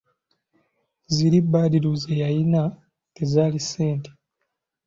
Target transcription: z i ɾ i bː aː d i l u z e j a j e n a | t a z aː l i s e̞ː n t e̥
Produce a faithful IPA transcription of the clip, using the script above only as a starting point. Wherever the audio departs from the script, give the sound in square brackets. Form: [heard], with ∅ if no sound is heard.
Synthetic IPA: z i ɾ i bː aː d i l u z e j a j [i] n a | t [e] z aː l i s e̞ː n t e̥